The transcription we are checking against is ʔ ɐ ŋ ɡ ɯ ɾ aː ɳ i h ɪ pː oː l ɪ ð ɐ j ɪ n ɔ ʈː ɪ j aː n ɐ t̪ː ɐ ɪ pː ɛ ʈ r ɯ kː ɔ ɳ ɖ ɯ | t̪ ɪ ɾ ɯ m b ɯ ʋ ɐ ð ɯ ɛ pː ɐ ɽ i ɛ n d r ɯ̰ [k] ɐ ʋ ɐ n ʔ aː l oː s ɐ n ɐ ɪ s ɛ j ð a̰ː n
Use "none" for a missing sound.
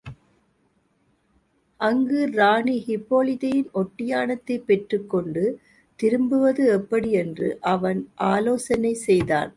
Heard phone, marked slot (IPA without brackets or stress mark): ʔ